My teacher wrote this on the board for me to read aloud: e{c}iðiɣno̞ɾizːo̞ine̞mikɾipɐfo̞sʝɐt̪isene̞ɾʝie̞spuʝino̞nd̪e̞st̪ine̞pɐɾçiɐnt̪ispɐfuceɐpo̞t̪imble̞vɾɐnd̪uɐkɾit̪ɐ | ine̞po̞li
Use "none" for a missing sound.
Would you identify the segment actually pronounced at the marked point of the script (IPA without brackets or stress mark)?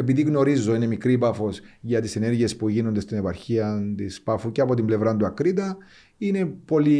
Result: p